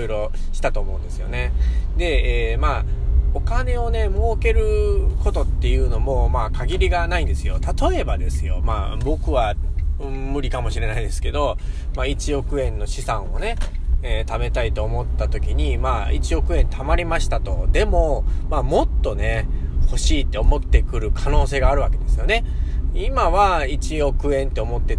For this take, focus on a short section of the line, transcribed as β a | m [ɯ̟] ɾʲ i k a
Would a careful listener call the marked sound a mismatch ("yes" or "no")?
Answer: no